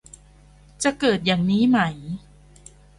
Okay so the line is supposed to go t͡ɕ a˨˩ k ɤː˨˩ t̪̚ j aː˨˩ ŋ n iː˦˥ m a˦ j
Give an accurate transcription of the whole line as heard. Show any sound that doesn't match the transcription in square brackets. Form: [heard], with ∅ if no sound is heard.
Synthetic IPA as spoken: t͡ɕ a˨˩ k ɤː˨˩ t̪̚ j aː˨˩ ŋ n iː˦˥ m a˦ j